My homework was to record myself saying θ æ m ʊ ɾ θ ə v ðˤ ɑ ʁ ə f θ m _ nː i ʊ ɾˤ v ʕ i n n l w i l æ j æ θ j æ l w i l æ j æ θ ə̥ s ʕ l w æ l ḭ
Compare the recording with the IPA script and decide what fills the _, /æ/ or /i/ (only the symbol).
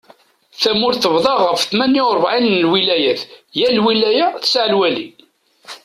æ